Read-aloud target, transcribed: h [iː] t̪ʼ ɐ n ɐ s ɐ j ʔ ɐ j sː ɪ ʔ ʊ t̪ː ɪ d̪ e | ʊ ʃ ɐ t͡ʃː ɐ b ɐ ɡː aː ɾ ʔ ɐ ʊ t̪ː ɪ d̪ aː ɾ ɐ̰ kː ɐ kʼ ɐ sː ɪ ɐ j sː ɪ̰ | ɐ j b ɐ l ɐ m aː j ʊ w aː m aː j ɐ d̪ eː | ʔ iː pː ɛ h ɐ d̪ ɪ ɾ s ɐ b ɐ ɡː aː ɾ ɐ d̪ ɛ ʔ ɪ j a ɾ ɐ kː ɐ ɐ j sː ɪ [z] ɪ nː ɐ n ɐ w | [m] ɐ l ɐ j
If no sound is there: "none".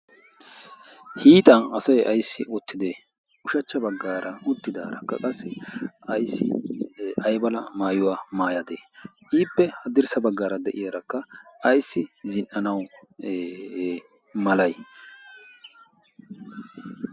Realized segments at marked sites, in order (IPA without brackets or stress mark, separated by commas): iː, z, m